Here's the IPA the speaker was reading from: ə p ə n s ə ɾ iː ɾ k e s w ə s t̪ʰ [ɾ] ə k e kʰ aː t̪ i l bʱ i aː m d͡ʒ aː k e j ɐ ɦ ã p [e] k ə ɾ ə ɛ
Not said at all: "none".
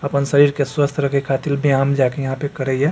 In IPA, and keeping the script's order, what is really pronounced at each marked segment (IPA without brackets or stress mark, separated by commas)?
ɾ, e